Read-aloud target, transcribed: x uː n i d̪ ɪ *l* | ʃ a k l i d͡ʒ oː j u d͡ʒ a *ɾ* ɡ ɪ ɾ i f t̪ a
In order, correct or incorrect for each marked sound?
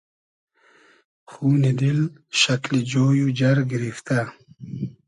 correct, correct

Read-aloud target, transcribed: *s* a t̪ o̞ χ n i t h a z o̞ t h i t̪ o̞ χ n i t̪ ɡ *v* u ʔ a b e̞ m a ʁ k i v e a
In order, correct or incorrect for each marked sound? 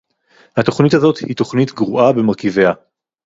incorrect: h, incorrect: ʁ

